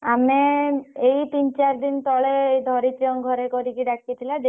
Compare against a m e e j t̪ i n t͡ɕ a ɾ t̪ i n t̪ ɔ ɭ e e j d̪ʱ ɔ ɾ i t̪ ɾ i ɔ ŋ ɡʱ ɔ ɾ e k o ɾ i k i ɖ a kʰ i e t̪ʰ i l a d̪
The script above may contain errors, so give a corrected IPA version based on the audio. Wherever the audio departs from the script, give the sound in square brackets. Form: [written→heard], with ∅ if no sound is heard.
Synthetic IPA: a m e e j t̪ i n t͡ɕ a ɾ [t̪→d̪] i n t̪ ɔ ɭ e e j d̪ʱ ɔ ɾ i t̪ ɾ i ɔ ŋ ɡʱ ɔ ɾ e k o ɾ i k i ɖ a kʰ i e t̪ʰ i l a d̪